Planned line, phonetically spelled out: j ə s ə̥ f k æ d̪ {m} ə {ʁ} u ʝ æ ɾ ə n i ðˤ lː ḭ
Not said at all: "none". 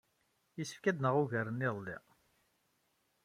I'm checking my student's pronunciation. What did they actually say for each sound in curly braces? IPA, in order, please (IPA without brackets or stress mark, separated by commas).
n, ʁ